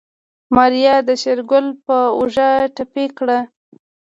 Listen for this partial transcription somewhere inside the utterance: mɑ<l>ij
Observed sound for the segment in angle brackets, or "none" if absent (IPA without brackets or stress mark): ɾ